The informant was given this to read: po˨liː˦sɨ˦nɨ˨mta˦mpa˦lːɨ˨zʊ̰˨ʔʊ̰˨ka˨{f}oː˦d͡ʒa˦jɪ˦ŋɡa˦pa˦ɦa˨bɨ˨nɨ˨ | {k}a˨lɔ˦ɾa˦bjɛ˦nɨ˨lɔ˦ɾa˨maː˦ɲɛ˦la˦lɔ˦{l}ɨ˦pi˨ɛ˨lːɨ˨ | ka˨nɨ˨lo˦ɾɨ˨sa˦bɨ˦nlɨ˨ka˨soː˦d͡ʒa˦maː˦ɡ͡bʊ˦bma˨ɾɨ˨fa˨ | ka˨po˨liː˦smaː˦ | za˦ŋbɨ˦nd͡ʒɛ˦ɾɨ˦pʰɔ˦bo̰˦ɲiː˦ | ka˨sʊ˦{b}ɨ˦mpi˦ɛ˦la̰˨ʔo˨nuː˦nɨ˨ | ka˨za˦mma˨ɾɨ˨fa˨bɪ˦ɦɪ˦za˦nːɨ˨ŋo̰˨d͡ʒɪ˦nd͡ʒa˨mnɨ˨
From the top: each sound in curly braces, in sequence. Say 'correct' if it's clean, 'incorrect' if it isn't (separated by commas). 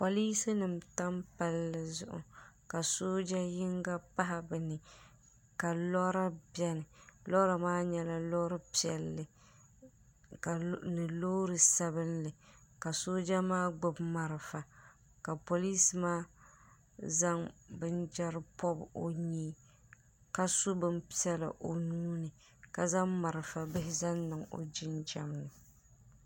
incorrect, correct, incorrect, correct